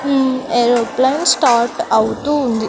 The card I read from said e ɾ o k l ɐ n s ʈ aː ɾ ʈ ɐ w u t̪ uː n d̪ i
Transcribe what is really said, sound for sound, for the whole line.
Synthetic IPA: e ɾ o p l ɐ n s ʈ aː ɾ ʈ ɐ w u t̪ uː n d̪ i